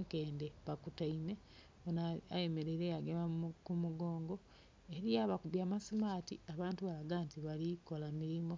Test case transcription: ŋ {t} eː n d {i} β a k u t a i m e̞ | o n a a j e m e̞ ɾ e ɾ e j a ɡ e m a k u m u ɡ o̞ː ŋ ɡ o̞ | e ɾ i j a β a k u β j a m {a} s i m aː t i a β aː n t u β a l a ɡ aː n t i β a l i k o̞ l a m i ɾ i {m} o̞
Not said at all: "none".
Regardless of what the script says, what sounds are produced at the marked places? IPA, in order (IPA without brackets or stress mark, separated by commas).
k, e, a, m